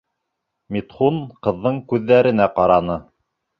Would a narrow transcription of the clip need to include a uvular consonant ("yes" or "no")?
yes